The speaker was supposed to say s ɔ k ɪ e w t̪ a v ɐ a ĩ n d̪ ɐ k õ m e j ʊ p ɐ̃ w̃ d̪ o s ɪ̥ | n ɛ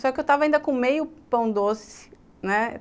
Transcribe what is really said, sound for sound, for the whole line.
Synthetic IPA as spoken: s ɔ k ɪ e w t̪ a v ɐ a ĩ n d̪ ɐ k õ m e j ʊ p ɐ̃ w̃ d̪ o s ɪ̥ | n ɛ

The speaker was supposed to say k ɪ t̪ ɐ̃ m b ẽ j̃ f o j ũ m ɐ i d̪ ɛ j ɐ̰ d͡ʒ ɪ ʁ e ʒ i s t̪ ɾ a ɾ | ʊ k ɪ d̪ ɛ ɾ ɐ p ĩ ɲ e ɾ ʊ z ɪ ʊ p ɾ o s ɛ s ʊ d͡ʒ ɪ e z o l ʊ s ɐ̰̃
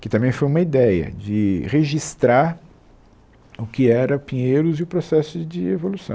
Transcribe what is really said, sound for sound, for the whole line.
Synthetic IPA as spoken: k ɪ t̪ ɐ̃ m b ẽ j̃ f o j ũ m ɐ i d̪ ɛ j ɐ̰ d͡ʒ ɪ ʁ e ʒ i s t̪ ɾ a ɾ | ʊ k ɪ ɛ ɾ ɐ p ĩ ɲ e ɾ ʊ z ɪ ʊ p ɾ o s ɛ s ʊ d͡ʒ ɪ e v o l u s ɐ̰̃

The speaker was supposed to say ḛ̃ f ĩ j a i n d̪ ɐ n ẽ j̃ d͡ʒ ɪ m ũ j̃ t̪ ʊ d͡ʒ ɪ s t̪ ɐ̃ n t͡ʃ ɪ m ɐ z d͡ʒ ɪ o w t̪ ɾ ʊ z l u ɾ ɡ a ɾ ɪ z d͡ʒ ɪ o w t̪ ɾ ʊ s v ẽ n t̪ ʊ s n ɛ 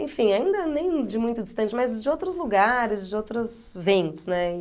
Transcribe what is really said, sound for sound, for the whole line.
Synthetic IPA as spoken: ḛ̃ f ĩ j a ĩ n d̪ ɐ n ẽ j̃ d͡ʒ ɪ m ũ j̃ t̪ ʊ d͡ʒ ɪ s t̪ ɐ̃ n t͡ʃ ɪ m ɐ z d͡ʒ ɪ o w t̪ ɾ ʊ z l u ɡ a ɾ ɪ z d͡ʒ ɪ o w t̪ ɾ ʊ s v ẽ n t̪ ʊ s n ɛ

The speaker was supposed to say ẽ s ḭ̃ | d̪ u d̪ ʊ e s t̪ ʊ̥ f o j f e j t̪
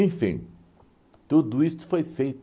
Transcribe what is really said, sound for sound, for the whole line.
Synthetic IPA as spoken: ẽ f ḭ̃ | t̪ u d̪ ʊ i s t̪ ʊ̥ f o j f e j t̪

